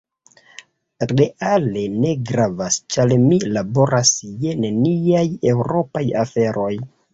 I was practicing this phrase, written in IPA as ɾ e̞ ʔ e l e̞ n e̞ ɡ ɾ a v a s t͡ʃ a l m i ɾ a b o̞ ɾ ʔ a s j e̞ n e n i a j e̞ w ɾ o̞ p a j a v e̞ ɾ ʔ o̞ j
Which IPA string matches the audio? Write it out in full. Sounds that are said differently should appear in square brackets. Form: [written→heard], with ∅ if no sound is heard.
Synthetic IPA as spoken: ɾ e̞ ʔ [e→a] l e̞ n e̞ ɡ ɾ a v a s t͡ʃ a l m i [ɾ→l] a b o̞ ɾ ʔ a s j e̞ n e n i a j e̞ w ɾ o̞ p a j a [v→f] e̞ ɾ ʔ o̞ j